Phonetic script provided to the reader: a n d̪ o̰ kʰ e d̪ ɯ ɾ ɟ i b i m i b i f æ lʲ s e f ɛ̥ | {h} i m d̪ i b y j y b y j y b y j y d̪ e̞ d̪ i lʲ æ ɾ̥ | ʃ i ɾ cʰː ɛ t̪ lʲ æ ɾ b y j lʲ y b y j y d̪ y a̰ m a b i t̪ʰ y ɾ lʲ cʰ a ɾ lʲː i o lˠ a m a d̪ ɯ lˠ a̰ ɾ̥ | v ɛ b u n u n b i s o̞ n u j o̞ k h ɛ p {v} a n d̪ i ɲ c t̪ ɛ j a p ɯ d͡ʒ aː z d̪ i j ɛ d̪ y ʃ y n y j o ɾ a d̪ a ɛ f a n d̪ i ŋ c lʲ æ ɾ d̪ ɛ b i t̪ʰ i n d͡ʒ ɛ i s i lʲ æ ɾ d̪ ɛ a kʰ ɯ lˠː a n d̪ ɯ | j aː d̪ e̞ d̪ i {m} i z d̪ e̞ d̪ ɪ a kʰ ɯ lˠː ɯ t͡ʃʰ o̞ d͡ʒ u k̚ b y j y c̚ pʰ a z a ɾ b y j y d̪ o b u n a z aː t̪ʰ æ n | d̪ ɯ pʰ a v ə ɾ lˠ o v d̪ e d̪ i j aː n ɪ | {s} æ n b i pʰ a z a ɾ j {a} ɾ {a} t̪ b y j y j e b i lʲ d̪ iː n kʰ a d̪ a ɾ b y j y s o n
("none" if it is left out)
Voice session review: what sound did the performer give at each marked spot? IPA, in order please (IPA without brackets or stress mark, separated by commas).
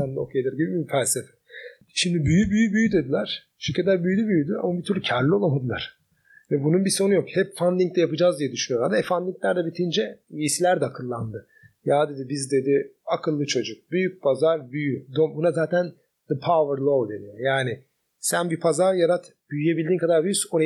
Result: ʃ, f, b, s, a, a